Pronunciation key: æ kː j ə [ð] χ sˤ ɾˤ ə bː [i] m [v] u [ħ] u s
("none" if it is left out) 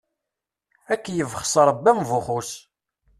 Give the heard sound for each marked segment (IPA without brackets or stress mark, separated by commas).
v, æ, v, χ